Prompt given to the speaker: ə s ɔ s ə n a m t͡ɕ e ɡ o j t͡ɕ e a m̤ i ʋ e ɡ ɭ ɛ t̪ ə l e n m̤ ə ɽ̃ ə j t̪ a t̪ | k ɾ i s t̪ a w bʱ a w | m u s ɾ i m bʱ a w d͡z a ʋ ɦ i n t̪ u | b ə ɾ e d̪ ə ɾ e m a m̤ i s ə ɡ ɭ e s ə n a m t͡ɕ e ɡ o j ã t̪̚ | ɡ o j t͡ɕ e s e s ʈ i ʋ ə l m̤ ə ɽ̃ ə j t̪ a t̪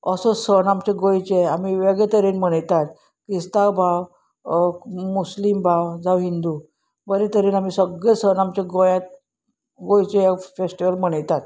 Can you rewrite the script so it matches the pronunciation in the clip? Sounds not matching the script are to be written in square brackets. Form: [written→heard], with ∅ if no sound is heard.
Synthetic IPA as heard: ə s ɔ s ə n a m t͡ɕ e ɡ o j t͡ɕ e a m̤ i ʋ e ɡ ɭ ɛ t̪ ə [l→ɾ] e n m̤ ə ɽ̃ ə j t̪ a t̪ | k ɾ i s t̪ a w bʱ a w | m u s [ɾ→l] i m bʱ a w d͡z a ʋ ɦ i n [t̪→d̪] u | b ə ɾ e [d̪→t̪] ə ɾ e [m→n] a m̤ i s ə ɡ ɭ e s ə n a m t͡ɕ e ɡ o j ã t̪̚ | ɡ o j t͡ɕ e [s→f] e s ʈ i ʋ ə l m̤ ə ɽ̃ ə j t̪ a t̪